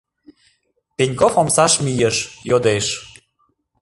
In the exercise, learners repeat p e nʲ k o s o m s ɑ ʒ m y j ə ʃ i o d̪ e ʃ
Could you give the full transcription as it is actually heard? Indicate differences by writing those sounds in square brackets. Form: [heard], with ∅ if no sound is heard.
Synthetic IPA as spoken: p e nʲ k o [f] o m s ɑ [ʃ] m [i] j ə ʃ [j] o d̪ e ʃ

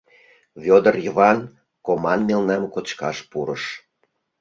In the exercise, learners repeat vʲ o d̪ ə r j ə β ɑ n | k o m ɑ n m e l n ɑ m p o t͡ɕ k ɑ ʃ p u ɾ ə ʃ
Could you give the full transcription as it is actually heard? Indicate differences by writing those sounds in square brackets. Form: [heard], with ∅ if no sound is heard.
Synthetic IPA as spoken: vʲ o d̪ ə r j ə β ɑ n | k o m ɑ n m e l n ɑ m [k] o t͡ɕ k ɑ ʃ p u ɾ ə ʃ

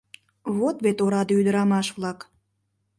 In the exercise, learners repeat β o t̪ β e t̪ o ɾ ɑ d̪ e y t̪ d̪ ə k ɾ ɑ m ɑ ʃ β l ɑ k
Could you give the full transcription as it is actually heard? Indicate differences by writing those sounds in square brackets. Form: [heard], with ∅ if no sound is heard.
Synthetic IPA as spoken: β o t̪ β e t̪ o ɾ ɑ d̪ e y [∅] d̪ ə [∅] ɾ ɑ m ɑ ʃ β l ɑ k

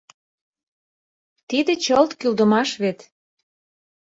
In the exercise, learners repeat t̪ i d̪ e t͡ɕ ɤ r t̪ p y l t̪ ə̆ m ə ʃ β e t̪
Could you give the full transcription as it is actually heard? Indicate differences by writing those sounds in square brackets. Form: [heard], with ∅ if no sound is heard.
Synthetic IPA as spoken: t̪ i d̪ e t͡ɕ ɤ [l] t̪ [k] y l [d̪] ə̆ m [ɑ] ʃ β e t̪

